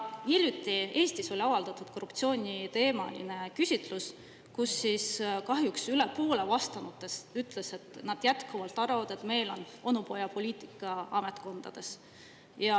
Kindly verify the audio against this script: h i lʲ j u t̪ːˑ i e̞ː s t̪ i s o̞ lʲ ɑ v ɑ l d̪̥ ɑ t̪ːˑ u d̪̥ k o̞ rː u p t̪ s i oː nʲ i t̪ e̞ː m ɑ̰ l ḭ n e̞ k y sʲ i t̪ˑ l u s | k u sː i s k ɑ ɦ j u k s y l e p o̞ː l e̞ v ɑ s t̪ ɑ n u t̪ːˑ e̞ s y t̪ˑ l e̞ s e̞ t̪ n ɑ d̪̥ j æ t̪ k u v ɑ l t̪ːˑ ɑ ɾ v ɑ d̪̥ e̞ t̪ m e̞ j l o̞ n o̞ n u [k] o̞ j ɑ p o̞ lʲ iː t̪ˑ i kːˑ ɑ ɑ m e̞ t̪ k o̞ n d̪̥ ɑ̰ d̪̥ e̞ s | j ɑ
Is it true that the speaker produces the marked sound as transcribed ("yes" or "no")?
no